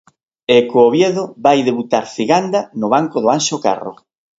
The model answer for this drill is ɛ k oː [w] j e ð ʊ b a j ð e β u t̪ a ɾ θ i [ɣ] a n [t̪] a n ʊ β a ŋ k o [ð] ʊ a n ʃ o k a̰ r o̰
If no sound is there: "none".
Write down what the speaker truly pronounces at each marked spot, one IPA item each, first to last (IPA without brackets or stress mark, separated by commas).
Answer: β, ɣ, d̪, ð